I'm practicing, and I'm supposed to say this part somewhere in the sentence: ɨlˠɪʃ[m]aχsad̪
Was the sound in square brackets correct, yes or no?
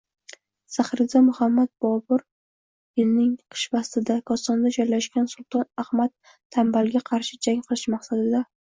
yes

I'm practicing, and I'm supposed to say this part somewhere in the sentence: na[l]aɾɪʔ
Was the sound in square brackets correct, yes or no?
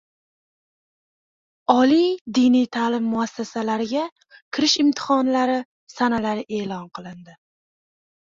yes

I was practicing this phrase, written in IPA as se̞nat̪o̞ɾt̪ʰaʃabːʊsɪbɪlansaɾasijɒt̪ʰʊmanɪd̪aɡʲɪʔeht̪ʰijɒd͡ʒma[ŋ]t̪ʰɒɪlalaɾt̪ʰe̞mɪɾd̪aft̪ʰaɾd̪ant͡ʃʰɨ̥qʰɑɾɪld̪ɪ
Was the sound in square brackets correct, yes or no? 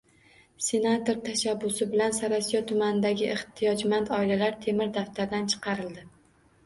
no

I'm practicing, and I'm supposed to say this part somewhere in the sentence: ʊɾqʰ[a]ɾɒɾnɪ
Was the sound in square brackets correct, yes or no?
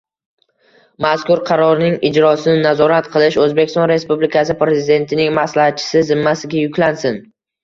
no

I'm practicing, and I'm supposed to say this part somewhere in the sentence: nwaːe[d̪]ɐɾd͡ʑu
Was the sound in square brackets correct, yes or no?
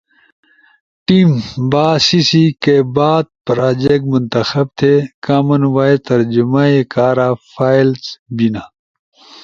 no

